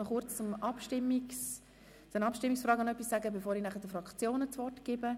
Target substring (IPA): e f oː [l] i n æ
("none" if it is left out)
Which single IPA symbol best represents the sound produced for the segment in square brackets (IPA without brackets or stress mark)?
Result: ɾ